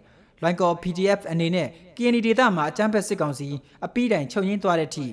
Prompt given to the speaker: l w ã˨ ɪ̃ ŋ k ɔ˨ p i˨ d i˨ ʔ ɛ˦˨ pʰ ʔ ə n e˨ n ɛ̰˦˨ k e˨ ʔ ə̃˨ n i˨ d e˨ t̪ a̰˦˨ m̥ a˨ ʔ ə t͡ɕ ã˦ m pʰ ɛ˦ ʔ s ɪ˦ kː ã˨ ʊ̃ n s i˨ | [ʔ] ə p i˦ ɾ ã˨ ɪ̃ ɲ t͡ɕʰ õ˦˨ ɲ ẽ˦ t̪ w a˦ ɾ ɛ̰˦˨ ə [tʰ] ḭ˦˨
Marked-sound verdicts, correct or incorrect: correct, correct

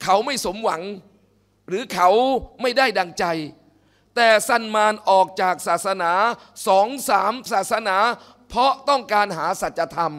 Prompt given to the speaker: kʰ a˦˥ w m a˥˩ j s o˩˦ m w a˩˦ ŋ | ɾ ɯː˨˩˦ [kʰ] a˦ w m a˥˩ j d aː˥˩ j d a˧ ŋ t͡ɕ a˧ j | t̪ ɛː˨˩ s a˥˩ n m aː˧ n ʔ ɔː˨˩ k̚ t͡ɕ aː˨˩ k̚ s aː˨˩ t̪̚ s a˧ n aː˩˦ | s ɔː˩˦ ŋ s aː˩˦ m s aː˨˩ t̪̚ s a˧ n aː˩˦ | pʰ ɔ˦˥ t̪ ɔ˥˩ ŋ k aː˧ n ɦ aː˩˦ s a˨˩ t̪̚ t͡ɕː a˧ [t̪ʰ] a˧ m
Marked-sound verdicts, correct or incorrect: correct, correct

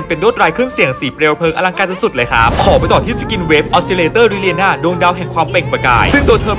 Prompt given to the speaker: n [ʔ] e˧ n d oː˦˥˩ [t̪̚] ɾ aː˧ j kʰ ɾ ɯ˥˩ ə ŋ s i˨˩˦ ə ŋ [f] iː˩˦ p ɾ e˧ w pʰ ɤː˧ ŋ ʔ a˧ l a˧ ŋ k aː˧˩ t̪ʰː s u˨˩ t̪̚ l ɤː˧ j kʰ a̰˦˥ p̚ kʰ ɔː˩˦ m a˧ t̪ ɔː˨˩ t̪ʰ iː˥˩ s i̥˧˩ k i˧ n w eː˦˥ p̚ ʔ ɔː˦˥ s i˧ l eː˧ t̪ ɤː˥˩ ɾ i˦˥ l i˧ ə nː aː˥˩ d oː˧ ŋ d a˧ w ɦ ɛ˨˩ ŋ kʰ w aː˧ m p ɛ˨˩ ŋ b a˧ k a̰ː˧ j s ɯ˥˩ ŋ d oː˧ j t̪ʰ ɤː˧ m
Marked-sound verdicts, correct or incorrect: incorrect: p, correct, incorrect: s

